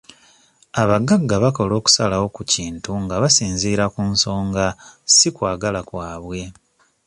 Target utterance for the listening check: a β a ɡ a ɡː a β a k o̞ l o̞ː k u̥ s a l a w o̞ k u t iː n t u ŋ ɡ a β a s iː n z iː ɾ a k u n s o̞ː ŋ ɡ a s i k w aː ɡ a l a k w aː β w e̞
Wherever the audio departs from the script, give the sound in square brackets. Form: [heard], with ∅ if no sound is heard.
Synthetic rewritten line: a β a ɡ a ɡː a β a k o̞ l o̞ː k u̥ s a l a w o̞ k u [c] iː n t u ŋ ɡ a β a s iː n z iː ɾ a k u n s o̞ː ŋ ɡ a s i k w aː ɡ a l a k w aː β w e̞

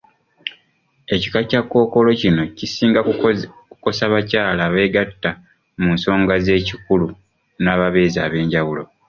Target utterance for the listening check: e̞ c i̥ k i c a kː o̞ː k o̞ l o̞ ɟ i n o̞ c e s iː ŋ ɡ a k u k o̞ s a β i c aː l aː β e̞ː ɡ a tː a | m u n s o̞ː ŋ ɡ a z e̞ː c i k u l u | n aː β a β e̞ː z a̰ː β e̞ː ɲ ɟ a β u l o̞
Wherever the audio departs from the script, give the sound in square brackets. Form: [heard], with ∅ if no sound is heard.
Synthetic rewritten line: e̞ c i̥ k [a] c a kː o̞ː k o̞ l o̞ [c] i n o̞ c [i] s iː ŋ ɡ a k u k o̞ s a β [a] c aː l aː β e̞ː ɡ a tː a | m u n s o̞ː ŋ ɡ a z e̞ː c i k u l u | n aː β a β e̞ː z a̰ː β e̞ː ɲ ɟ a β u l o̞

